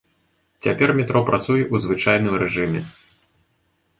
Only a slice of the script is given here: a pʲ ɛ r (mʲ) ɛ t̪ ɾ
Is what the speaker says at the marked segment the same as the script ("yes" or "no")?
yes